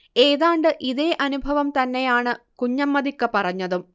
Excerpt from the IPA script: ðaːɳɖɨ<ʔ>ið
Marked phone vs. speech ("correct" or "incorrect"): correct